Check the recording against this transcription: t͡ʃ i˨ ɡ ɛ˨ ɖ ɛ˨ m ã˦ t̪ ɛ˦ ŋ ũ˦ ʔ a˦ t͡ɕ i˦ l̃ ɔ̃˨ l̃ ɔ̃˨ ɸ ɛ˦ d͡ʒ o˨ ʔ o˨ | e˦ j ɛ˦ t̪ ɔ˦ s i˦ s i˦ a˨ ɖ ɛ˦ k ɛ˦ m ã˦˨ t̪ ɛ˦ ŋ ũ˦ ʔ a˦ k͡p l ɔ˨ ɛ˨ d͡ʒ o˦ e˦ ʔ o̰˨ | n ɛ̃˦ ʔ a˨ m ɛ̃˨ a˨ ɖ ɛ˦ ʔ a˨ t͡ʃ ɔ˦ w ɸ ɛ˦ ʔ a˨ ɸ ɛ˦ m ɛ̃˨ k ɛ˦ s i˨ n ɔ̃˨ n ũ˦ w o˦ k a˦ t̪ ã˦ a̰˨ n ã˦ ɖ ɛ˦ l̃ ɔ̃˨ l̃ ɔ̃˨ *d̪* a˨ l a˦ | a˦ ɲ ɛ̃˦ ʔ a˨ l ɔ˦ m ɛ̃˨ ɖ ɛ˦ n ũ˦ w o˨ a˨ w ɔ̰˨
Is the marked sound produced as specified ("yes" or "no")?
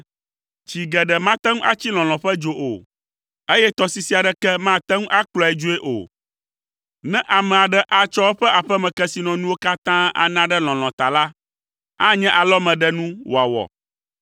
no